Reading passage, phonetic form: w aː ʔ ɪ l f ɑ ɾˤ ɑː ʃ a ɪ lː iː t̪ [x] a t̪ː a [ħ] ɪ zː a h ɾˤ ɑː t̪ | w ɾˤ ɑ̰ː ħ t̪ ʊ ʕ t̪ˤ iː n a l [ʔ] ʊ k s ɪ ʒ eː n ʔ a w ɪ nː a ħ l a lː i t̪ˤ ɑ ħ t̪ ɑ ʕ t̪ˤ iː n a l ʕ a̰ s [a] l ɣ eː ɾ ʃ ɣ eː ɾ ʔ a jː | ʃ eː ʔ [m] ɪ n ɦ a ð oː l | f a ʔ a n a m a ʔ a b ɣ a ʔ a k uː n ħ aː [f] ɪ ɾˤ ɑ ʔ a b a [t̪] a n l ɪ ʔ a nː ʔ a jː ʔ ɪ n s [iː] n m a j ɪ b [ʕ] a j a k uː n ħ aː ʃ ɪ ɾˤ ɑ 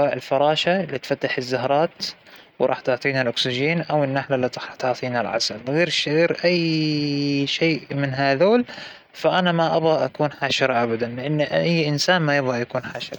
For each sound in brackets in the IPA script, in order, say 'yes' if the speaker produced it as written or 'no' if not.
no, yes, yes, yes, yes, no, no, no, no

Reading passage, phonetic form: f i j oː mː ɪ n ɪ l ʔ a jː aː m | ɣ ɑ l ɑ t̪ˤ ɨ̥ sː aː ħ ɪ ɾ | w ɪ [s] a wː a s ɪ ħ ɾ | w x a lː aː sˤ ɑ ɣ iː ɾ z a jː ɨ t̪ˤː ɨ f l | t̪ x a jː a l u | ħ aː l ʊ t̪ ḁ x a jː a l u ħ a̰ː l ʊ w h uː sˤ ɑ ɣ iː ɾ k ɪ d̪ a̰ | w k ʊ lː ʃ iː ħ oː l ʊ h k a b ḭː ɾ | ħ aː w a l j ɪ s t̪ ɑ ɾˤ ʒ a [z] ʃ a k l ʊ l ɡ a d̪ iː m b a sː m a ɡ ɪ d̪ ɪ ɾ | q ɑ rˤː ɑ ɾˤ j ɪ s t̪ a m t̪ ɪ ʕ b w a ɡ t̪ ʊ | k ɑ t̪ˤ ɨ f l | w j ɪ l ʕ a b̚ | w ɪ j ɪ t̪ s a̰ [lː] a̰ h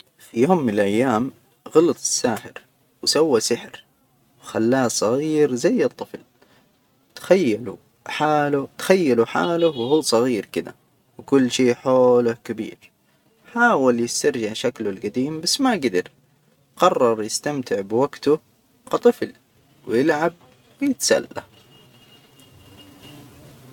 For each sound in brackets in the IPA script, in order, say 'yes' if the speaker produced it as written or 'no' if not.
yes, no, yes

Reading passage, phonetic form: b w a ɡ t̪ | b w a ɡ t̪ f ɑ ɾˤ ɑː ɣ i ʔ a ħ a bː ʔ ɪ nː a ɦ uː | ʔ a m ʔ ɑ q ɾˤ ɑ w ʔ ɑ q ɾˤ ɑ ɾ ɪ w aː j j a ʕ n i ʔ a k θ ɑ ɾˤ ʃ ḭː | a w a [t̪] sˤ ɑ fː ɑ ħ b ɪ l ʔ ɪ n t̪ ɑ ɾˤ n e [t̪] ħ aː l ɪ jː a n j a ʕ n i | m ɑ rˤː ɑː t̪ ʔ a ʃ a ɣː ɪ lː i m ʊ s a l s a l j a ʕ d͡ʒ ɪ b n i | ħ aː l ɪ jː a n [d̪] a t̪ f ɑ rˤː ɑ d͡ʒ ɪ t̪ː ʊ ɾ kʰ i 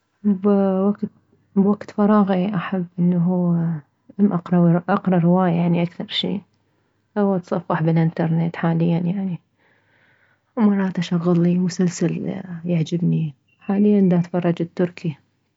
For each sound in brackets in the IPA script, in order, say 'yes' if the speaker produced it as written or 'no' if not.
yes, yes, yes

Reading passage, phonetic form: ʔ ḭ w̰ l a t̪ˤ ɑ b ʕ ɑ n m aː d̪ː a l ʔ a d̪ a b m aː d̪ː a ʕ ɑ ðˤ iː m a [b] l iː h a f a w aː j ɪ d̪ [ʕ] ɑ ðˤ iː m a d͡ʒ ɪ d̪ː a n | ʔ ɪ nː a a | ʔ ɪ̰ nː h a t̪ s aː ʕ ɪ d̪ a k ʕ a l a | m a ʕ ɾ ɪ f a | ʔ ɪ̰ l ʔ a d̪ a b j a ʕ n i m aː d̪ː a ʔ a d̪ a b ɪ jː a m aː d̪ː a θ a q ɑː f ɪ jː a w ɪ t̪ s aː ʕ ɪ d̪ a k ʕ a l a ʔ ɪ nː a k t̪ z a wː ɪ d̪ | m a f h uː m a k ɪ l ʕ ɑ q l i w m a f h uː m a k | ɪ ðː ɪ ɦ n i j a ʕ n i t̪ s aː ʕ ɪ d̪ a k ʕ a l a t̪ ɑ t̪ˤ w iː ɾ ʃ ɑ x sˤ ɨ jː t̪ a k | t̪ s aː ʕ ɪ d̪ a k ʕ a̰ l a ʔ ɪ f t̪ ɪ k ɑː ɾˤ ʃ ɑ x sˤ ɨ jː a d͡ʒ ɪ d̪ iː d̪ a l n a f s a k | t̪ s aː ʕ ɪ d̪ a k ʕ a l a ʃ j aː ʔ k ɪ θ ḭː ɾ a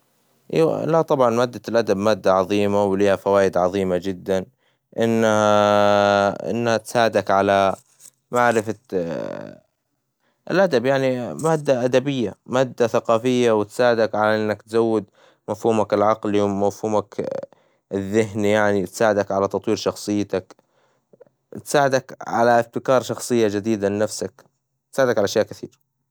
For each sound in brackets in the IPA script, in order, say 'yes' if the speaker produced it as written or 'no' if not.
no, yes

